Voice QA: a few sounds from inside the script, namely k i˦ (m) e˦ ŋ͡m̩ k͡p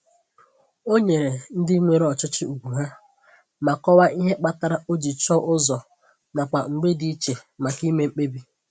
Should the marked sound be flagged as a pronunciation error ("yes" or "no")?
no